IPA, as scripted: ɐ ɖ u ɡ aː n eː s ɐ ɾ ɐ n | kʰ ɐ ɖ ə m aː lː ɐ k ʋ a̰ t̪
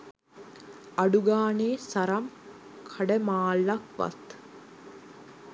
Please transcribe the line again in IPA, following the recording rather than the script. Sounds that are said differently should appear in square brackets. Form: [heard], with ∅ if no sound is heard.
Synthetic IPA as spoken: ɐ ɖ u ɡ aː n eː s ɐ ɾ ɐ [m] | kʰ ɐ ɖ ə m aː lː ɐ k ʋ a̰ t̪

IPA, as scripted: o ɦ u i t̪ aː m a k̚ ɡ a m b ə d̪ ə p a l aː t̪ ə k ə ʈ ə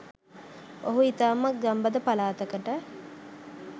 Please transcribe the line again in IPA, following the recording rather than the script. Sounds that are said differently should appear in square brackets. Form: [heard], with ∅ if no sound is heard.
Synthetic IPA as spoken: o ɦ u i t̪ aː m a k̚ ɡ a m b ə d̪ ə p a l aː t̪ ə k ə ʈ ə

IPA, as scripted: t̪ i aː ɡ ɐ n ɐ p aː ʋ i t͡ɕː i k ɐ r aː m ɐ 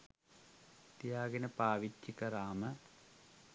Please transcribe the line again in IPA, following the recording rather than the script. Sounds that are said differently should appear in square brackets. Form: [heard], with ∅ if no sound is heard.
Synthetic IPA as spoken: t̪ [j] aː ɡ ɐ n ɐ p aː ʋ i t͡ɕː i k ɐ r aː m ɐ

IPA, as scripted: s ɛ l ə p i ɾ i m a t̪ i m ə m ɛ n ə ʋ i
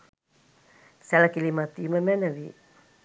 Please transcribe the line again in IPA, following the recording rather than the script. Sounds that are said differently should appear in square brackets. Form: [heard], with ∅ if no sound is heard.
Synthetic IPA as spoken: s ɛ l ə [k] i [l] i m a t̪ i m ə m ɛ n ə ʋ i

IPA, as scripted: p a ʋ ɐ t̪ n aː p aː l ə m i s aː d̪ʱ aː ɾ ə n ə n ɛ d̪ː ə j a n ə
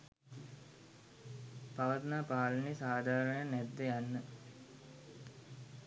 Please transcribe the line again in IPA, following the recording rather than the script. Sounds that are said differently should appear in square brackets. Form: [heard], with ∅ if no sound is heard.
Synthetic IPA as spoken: p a ʋ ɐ t̪ n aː p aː l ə [n] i s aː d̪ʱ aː ɾ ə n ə n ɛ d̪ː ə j a [nː] ə

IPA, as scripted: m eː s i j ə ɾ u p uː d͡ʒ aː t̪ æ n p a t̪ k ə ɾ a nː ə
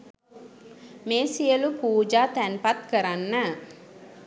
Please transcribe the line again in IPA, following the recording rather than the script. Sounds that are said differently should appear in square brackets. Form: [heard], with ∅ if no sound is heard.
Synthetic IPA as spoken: m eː s i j ə [l] u p uː d͡ʒ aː t̪ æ n p a t̪ k ə ɾ a nː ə

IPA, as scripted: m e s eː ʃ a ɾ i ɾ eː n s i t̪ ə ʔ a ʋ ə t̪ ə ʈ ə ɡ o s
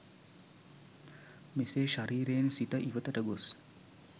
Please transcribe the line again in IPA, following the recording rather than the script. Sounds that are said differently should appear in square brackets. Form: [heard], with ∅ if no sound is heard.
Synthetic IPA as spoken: m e s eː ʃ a ɾ [iː] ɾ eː n s i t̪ ə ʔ [i] ʋ ə t̪ ə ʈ ə ɡ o s

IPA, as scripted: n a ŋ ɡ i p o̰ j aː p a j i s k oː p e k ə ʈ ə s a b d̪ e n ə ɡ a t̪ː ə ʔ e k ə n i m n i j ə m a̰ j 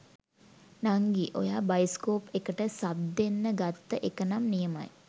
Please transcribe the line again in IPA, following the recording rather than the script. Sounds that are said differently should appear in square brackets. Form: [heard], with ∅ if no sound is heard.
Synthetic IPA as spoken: n a ŋ ɡ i [ʔ] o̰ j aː [b] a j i s k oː p e k ə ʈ ə s a b d̪ e [nː] ə ɡ a t̪ː ə ʔ e k ə n [a] m n i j ə m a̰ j

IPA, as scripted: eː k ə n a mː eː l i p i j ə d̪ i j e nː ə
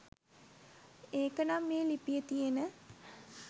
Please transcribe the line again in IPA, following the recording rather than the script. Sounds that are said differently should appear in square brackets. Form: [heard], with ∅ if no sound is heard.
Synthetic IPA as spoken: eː k ə n a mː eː l i p i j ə [t̪] i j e [n] ə

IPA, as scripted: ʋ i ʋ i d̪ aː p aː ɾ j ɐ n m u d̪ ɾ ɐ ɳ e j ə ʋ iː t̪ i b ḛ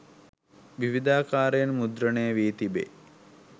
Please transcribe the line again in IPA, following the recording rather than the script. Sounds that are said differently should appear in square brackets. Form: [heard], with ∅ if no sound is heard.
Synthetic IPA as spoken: ʋ i ʋ i d̪ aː [k] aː ɾ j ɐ n m u d̪ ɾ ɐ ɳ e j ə ʋ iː t̪ i b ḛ

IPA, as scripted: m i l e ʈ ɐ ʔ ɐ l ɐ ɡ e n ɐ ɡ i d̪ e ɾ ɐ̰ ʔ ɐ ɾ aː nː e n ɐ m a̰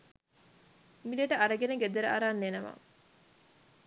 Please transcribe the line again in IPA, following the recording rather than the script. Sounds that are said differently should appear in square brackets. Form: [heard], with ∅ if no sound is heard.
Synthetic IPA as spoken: m i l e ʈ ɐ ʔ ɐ [ɾ] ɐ ɡ e n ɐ ɡ [e] d̪ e ɾ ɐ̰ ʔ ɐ ɾ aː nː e n ɐ m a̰

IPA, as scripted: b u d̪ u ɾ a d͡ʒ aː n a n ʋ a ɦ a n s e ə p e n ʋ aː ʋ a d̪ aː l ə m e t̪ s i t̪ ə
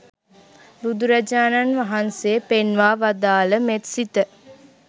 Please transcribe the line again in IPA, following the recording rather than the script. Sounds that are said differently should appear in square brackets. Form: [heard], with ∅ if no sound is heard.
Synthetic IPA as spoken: b u d̪ u ɾ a d͡ʒ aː n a n ʋ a ɦ a n s e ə p e n ʋ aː ʋ a d̪ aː l ə m e t̪ s i t̪ ə

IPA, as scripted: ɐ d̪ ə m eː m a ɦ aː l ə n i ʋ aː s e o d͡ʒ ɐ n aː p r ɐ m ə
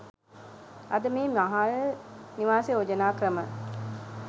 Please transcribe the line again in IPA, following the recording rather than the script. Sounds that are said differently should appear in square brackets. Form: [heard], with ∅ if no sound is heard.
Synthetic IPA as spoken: ɐ d̪ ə m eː m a ɦ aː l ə n i ʋ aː s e o d͡ʒ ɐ n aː [k] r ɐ m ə

